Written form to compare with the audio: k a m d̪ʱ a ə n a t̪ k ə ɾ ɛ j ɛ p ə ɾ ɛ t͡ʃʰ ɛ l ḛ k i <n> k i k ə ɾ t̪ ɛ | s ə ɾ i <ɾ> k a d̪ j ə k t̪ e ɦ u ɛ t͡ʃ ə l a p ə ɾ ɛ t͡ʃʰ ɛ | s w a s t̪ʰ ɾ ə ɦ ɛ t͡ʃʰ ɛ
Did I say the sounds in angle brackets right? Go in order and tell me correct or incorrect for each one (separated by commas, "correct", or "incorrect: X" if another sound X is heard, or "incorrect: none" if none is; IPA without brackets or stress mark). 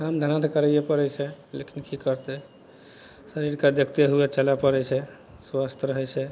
correct, correct